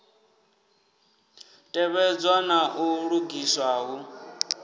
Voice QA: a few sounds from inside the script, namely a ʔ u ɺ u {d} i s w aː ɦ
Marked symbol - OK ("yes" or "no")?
no